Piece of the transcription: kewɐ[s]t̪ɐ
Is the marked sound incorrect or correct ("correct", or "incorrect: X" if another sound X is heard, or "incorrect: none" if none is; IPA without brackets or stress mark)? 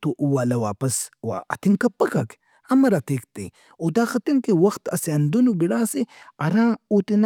incorrect: x